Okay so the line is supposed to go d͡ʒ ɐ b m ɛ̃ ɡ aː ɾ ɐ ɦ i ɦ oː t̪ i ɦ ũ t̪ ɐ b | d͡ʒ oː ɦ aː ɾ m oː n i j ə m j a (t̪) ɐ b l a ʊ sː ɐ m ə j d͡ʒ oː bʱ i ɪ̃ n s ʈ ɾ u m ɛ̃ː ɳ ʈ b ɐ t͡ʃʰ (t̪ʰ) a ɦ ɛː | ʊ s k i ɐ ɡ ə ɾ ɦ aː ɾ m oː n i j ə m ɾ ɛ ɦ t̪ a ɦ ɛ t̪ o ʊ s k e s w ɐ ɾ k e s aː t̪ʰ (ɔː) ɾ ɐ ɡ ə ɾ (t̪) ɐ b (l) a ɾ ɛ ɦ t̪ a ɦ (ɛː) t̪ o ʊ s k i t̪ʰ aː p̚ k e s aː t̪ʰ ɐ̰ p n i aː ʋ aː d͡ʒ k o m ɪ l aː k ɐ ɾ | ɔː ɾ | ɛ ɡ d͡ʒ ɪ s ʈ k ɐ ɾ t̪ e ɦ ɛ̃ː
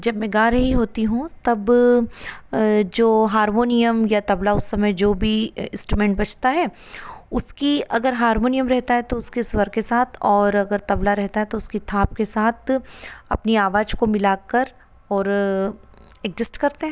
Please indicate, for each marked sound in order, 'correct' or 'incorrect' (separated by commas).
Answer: correct, incorrect, correct, correct, correct, incorrect